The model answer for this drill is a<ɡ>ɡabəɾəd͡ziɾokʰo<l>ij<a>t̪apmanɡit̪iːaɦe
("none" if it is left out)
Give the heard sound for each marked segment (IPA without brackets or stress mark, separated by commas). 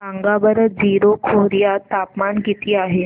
ŋ, ɾ, a